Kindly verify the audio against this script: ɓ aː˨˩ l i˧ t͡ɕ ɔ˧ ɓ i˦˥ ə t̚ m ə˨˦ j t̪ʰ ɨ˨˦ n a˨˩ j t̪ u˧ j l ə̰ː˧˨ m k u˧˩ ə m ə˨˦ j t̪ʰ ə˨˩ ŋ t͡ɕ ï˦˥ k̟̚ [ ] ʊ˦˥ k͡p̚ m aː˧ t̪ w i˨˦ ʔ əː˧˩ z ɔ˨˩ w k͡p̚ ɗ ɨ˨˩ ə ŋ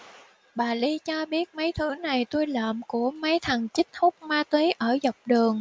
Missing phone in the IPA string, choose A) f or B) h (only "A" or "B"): B